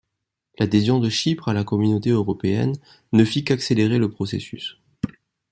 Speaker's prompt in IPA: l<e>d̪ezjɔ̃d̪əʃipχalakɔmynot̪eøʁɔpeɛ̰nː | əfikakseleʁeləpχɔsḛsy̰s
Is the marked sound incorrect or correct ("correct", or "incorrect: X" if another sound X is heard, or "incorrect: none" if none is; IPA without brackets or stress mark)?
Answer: incorrect: a